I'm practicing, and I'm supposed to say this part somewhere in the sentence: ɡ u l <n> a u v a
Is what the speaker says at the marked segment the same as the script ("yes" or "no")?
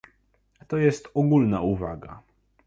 yes